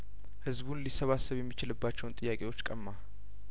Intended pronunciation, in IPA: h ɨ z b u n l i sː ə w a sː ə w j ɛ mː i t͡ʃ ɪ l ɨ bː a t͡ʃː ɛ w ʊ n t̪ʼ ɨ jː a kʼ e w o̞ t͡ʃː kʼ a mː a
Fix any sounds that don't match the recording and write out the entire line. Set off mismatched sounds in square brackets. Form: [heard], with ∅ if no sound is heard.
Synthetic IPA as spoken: h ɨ z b u n l i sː ə [β] a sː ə [β] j ɛ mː i t͡ʃ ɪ l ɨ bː a t͡ʃː ɛ w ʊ n t̪ʼ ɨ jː a kʼ e w o̞ t͡ʃː kʼ [ə] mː a